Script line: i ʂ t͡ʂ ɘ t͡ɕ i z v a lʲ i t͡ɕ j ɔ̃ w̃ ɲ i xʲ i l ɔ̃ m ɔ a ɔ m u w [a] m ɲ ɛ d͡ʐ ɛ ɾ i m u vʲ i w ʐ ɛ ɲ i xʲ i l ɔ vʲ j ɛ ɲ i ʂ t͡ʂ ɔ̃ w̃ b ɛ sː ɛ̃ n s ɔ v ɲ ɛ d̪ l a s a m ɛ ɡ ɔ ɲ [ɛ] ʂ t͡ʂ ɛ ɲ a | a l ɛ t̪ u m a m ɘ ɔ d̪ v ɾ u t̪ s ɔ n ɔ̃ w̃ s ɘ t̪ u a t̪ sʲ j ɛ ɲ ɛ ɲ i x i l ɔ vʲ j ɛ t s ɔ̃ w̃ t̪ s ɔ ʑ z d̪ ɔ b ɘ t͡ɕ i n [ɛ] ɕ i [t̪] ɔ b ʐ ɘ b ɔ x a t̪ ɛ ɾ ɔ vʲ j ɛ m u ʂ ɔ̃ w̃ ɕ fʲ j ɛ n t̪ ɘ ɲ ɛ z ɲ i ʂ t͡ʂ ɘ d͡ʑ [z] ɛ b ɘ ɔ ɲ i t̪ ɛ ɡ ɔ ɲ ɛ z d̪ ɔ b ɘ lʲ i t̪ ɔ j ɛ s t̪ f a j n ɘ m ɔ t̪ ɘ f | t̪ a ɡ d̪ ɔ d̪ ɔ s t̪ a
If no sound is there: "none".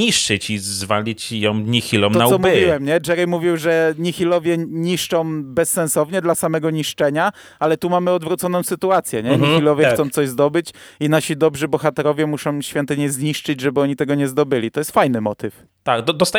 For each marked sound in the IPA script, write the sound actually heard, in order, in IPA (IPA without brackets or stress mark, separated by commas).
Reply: ɛ, i, a, d̪, ʐ